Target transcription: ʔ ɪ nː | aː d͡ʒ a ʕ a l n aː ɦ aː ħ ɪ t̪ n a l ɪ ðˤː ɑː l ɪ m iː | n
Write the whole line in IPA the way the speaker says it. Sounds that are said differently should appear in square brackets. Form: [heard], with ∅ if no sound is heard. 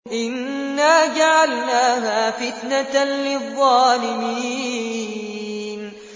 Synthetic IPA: ʔ ɪ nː | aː d͡ʒ a ʕ a l n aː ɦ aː [f] ɪ t̪ n a l ɪ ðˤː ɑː l ɪ m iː | n